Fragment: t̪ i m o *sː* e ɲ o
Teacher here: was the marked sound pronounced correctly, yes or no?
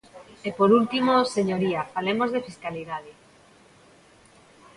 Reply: no